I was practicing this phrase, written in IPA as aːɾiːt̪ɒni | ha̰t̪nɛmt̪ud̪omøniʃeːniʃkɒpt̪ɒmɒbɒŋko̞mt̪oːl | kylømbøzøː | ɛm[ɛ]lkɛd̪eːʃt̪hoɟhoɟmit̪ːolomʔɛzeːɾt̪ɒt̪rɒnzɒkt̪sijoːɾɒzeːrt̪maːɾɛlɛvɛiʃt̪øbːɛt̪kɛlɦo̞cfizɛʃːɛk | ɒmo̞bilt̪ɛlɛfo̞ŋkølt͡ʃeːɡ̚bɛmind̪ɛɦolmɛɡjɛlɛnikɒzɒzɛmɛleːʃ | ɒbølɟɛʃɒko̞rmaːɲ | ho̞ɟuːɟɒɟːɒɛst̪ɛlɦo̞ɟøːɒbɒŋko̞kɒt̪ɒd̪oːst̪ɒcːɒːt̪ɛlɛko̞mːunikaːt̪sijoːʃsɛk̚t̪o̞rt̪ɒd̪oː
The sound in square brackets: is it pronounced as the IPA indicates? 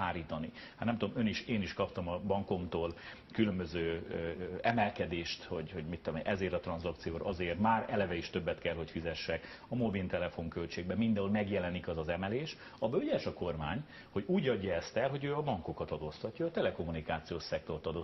yes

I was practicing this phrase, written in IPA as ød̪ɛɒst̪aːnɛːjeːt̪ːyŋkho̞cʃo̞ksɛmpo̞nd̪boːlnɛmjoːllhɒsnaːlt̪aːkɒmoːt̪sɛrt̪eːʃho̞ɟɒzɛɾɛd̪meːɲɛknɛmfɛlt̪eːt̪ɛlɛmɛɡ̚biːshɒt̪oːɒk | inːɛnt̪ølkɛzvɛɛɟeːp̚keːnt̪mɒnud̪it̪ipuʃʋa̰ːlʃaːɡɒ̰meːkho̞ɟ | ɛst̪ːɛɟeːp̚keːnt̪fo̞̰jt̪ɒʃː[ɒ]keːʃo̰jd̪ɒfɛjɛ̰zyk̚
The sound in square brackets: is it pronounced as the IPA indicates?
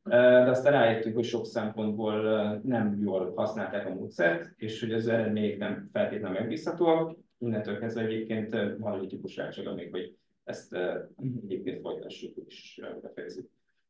no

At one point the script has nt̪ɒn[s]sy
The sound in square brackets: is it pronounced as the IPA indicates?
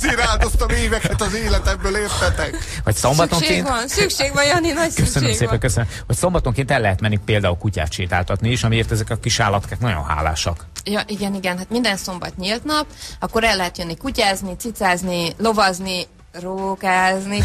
yes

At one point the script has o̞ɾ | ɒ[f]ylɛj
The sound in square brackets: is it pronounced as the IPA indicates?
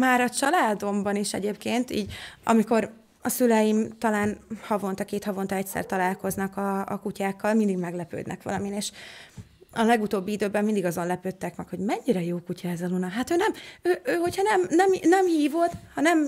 no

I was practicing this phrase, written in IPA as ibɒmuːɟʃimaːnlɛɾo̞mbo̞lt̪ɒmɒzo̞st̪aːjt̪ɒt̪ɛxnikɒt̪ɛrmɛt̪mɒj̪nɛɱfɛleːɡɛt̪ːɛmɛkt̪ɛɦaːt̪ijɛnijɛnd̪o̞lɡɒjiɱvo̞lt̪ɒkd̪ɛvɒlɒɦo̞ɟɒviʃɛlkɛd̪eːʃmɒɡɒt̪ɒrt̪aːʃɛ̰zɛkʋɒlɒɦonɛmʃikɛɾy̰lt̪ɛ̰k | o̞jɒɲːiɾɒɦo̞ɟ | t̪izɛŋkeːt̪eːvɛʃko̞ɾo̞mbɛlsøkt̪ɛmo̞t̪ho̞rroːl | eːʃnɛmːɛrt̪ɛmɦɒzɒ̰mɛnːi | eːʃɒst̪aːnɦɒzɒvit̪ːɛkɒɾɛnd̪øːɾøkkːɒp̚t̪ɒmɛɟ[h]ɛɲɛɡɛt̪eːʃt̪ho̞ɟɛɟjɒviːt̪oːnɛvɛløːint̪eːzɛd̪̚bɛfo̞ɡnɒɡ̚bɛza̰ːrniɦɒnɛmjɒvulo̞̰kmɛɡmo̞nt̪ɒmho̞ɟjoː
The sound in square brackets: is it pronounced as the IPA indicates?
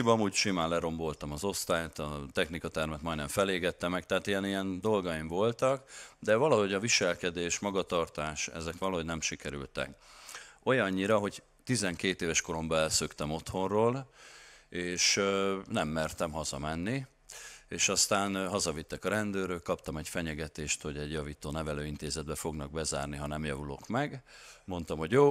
no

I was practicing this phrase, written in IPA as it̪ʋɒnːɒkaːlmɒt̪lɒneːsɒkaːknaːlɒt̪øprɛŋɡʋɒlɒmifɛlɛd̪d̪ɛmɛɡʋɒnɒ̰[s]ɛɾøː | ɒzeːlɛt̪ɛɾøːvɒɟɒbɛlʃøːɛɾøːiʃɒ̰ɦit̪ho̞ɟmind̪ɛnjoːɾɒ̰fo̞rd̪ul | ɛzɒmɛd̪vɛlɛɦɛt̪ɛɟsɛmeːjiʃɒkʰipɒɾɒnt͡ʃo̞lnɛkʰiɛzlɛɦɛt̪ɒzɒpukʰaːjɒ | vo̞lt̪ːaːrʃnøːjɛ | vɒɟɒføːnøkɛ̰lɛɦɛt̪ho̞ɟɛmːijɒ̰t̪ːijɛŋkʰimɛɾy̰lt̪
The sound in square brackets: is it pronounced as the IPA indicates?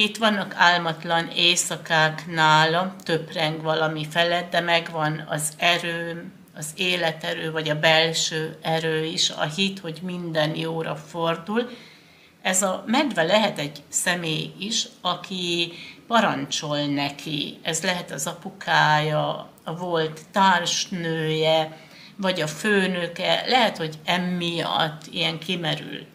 no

